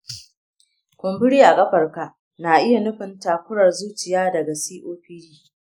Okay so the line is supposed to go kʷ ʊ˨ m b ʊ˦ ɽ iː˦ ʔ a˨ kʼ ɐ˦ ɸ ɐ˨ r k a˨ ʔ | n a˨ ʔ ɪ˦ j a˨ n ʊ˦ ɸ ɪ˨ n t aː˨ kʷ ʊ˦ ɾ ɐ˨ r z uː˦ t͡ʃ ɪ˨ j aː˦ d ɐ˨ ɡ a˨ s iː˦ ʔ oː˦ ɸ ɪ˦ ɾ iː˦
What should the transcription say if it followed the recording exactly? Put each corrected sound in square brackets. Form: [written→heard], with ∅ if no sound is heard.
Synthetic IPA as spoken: kʷ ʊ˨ m b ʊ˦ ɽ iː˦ ʔ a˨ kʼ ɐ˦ ɸ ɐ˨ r k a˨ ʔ | n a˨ ʔ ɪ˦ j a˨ n ʊ˦ ɸ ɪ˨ n t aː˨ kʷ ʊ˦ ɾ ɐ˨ r z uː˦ t͡ʃ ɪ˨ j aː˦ d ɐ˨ ɡ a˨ s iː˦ ʔ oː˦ ɸ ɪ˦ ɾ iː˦